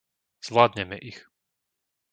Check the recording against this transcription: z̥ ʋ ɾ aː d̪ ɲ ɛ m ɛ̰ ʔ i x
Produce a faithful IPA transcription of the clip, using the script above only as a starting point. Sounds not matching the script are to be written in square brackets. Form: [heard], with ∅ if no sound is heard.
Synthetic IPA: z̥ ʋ [l] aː d̪ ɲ ɛ m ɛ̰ ʔ i x